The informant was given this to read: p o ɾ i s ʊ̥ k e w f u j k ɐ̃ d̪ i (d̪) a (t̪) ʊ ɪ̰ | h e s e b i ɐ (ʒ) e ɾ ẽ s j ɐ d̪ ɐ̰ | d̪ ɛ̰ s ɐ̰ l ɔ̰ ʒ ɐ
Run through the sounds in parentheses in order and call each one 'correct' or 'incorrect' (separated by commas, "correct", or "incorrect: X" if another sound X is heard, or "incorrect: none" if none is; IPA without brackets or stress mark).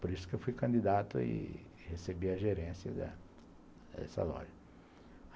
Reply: correct, correct, correct